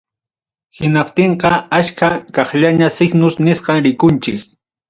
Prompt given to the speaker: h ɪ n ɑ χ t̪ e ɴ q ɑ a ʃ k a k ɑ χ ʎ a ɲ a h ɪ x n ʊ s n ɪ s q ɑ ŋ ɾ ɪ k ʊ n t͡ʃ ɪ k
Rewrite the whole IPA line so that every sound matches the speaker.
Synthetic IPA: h ɪ n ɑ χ t̪ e ɴ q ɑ a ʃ k a k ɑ χ ʎ a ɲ a s ɪ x n ʊ s n ɪ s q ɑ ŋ ɾ ɪ k ʊ n t͡ʃ ɪ k